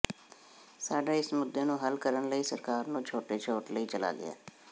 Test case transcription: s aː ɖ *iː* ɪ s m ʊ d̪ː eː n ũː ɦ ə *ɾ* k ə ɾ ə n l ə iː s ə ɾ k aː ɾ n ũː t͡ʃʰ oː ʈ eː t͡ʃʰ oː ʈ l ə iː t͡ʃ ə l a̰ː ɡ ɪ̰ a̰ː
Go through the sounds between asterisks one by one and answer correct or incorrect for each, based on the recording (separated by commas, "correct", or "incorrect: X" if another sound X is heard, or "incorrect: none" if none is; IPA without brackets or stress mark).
incorrect: aː, incorrect: l